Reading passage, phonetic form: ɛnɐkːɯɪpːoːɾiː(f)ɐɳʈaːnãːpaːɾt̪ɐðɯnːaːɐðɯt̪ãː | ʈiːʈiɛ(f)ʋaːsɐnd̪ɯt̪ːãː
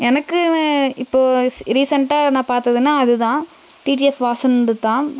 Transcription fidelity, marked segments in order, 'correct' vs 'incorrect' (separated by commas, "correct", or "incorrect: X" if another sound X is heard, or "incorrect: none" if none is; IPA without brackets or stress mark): incorrect: s, correct